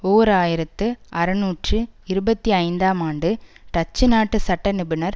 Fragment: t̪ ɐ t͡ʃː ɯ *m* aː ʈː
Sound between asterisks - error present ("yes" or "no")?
yes